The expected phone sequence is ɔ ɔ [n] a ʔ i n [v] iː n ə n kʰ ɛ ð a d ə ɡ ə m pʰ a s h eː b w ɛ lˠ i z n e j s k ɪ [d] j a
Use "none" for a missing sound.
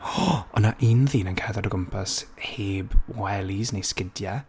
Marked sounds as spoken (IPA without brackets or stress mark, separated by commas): n, ð, d